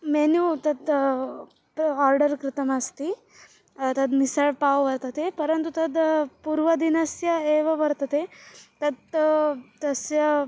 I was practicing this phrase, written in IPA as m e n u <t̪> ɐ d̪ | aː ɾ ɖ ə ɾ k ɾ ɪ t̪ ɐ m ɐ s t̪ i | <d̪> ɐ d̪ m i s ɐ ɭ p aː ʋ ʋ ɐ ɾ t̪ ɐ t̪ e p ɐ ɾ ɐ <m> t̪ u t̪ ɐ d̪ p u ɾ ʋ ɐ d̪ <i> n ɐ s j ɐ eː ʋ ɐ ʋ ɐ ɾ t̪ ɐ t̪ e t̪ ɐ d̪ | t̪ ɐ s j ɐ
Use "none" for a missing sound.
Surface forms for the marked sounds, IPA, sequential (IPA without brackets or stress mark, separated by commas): t̪, t̪, n, i